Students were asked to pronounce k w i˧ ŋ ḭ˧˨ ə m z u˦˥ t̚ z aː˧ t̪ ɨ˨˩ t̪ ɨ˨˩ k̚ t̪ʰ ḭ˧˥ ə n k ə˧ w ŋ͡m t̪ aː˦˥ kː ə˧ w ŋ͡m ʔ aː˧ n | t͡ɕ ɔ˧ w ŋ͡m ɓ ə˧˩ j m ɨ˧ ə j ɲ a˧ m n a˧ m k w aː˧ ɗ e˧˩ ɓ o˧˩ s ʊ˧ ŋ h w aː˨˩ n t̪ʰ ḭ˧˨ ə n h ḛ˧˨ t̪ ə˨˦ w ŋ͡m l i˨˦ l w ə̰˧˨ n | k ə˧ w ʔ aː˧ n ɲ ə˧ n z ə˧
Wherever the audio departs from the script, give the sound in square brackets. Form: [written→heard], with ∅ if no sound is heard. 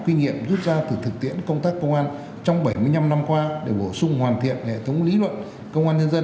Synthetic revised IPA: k w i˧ ŋ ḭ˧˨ ə m z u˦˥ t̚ z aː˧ t̪ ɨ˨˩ t̪ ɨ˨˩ k̚ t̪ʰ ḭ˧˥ ə n k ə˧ w ŋ͡m t̪ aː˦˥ kː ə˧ w ŋ͡m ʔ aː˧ n | t͡ɕ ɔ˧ w ŋ͡m ɓ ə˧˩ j m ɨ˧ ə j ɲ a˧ m n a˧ m k w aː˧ ɗ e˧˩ ɓ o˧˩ s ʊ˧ [ŋ→ŋ͡m] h w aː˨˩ n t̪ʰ ḭ˧˨ ə n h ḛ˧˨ [t̪→t̪ʰ] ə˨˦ w ŋ͡m l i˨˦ l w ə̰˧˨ n | k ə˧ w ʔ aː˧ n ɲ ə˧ n z ə˧